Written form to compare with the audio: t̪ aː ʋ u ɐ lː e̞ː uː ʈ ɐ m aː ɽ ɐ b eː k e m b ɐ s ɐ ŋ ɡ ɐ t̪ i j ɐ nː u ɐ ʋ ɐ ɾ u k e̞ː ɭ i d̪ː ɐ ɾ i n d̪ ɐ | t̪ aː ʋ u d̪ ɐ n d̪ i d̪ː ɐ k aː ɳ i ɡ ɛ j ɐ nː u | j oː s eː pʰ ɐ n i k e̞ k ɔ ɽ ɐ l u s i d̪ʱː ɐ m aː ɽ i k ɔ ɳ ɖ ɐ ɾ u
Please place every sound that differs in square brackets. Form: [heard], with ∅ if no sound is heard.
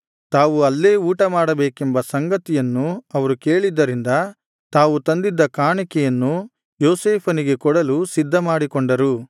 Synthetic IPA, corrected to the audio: t̪ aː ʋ u ɐ lː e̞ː uː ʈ ɐ m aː ɽ ɐ b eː k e m b ɐ s ɐ ŋ ɡ ɐ t̪ i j ɐ nː u ɐ ʋ ɐ ɾ u k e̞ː ɭ i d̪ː ɐ ɾ i n d̪ ɐ | t̪ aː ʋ u [t̪] ɐ n d̪ i d̪ː ɐ k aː ɳ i [k] ɛ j ɐ nː u | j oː s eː pʰ ɐ n i [ɡ] e̞ k ɔ ɽ ɐ l u s i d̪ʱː ɐ m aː ɽ i k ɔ ɳ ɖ ɐ ɾ u